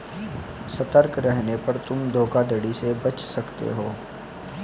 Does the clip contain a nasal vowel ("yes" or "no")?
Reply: no